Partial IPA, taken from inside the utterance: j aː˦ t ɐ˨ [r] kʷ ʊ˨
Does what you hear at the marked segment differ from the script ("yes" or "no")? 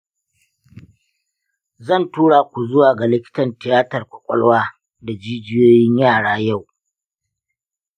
no